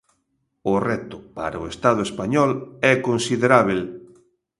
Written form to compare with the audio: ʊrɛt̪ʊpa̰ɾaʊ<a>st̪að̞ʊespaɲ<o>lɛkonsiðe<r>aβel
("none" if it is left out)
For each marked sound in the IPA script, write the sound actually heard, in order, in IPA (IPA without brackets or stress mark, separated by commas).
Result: e, ɔ, ɾ